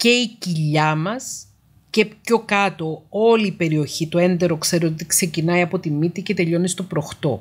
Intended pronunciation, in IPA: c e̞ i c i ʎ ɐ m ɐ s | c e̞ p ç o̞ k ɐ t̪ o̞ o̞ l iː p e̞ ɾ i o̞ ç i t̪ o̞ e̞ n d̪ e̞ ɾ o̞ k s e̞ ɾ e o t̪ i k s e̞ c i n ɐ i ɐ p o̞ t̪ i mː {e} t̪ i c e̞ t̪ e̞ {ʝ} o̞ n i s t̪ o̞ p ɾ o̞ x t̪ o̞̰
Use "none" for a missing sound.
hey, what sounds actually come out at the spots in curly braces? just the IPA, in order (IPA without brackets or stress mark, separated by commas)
i, ʎ